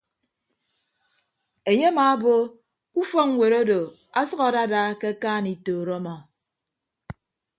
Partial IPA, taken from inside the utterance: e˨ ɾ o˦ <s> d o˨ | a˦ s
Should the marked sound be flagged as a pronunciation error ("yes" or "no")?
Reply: yes